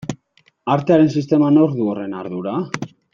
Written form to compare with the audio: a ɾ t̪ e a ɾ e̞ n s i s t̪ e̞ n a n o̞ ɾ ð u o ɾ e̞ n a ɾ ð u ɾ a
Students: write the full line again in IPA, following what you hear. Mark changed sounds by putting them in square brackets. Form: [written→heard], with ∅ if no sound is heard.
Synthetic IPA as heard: a ɾ t̪ e a ɾ e̞ n s i s t̪ e̞ [n→m] a n o̞ ɾ ð u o [ɾ→r] e̞ n a ɾ ð u ɾ a